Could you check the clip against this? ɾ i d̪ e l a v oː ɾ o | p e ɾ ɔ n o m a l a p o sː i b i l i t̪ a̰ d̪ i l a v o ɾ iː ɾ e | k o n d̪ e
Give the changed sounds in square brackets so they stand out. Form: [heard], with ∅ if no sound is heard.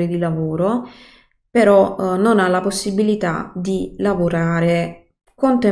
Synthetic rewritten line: ɾ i d̪ [i] l a v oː ɾ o | p e ɾ ɔ n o [n] a l a p o sː i b i l i t̪ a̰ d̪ i l a v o ɾ [aː] ɾ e | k o n [t̪] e

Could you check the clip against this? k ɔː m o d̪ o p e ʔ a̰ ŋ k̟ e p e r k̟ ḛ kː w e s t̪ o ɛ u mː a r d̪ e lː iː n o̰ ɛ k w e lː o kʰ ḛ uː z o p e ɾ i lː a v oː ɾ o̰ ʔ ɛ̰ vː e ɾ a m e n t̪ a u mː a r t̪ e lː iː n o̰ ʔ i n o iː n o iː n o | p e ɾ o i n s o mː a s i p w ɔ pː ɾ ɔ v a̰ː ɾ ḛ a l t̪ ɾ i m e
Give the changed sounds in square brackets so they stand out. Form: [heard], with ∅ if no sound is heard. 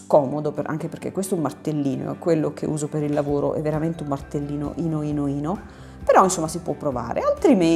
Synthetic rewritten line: k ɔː m o d̪ o p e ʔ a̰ ŋ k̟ e p e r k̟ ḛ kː w e s t̪ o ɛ u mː a r [t̪] e lː iː n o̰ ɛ k w e lː o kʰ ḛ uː z o p e ɾ i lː a v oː ɾ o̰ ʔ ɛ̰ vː e ɾ a m e n t̪ [e] u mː a r t̪ e lː iː n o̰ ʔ i n o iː n o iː n o | p e ɾ [ɔ] i n s o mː a s i p w ɔ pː ɾ [o] v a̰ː ɾ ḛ a l t̪ ɾ i m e

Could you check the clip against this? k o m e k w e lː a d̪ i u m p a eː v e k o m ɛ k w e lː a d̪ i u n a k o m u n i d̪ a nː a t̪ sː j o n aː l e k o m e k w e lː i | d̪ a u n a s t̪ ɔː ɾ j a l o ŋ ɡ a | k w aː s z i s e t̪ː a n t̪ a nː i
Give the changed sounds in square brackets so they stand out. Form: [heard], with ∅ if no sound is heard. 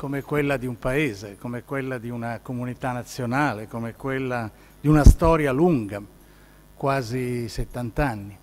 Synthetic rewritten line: k o m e k w e lː a d̪ i u m p a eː [z] e k o m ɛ k w e lː a d̪ i u n a k o m u n i [t̪] a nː a t̪ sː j o n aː l e k o m e k w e lː [a] | d̪ [i] u n a s t̪ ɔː ɾ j a l [u] ŋ ɡ a | k w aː [∅] z i s e t̪ː a n t̪ a nː i

